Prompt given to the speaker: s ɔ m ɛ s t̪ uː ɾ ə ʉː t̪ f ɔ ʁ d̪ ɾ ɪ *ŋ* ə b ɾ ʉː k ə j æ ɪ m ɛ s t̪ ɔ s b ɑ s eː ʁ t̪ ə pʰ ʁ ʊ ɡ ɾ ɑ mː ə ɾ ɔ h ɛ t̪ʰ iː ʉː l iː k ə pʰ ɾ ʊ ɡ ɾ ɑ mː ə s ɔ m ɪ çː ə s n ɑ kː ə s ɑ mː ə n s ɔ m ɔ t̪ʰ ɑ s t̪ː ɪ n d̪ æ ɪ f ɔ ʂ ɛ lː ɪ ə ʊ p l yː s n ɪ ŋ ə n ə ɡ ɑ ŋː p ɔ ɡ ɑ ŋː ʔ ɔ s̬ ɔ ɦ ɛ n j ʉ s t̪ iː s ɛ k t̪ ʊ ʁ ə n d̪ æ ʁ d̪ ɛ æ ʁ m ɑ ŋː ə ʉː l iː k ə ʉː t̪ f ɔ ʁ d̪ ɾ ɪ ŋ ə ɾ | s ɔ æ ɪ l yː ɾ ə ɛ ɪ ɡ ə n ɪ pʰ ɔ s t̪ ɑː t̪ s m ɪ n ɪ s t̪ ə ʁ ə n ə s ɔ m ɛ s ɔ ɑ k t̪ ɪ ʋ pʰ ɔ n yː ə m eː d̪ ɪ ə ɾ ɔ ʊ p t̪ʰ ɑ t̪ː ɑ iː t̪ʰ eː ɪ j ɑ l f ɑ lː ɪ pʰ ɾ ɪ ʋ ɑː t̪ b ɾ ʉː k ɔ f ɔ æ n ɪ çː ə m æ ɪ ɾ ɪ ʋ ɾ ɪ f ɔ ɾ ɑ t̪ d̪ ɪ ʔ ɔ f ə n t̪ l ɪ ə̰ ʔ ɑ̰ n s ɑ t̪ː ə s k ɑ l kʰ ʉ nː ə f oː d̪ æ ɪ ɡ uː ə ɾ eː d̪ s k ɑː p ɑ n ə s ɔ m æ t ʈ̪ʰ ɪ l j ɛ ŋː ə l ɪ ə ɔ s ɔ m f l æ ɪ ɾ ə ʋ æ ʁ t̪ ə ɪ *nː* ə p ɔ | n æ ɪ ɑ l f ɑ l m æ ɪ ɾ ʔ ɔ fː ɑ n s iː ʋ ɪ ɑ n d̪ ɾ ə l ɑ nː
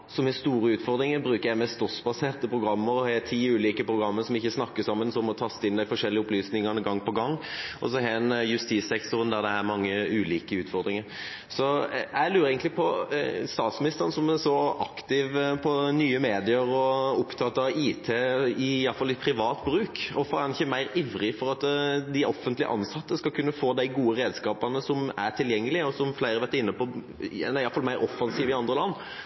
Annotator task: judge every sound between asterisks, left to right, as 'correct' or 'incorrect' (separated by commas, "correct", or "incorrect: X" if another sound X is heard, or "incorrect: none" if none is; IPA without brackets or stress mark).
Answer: correct, correct